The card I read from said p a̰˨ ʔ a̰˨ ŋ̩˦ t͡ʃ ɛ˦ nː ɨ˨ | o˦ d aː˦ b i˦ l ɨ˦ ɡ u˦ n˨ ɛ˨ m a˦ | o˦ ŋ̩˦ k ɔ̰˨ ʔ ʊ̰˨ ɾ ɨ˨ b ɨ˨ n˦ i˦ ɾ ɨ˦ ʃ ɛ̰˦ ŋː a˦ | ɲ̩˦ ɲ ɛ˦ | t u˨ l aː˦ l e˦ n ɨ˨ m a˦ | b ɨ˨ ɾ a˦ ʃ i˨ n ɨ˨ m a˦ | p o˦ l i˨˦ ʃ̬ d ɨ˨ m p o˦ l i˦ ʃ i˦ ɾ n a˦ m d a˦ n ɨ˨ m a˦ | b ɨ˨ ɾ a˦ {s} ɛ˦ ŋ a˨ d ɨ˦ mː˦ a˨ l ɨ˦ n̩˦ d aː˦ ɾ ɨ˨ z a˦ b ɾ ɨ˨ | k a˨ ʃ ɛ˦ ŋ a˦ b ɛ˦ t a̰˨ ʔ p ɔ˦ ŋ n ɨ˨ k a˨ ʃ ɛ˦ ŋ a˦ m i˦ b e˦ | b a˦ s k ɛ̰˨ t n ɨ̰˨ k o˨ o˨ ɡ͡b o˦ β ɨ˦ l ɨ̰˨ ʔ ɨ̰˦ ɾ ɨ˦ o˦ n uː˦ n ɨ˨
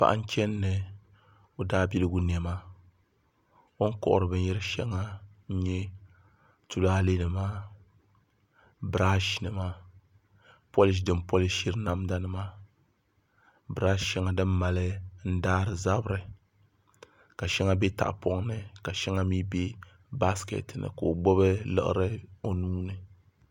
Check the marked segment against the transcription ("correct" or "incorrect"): incorrect